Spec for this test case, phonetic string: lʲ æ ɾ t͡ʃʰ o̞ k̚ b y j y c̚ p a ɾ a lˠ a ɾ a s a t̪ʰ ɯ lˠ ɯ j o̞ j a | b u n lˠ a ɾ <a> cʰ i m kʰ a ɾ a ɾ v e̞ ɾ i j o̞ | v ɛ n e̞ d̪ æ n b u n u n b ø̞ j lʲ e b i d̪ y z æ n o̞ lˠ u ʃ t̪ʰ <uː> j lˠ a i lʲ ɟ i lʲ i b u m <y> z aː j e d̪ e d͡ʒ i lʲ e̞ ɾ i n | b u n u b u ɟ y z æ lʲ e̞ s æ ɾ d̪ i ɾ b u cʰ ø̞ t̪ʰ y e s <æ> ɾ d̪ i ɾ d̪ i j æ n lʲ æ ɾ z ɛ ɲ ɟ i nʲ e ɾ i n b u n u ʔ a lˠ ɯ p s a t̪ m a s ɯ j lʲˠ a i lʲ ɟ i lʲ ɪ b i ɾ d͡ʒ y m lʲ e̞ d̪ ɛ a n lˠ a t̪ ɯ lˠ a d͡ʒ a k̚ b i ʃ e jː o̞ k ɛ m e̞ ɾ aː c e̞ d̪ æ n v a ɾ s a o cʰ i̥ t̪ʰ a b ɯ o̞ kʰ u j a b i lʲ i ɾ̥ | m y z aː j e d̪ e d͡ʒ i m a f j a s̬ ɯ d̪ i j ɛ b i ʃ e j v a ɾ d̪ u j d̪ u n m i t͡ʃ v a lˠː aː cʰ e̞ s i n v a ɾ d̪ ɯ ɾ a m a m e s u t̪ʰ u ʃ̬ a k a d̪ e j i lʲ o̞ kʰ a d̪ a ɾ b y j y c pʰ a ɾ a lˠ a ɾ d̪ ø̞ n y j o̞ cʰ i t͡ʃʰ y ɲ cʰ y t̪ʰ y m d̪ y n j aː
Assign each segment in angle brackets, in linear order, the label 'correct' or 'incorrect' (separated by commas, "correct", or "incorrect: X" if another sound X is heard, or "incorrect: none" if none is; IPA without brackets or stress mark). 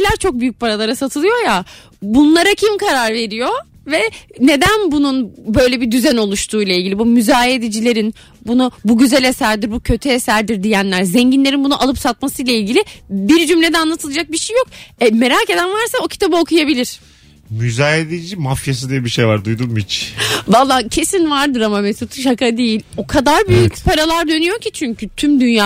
correct, correct, correct, correct